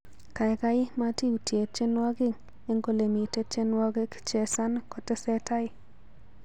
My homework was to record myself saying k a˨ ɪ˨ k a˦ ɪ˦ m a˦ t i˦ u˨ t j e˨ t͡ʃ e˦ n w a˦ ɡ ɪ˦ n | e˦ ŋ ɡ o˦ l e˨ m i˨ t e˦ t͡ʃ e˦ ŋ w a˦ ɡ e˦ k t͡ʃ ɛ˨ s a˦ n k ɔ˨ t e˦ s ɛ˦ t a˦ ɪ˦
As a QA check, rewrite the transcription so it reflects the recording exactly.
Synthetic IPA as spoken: k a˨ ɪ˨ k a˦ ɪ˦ m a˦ t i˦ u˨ t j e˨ t͡ʃ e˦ n w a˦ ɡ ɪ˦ ŋ | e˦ ŋ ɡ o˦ l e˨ m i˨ t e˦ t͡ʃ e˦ n w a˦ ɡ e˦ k t͡ʃ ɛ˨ s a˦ n k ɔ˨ t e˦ s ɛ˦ t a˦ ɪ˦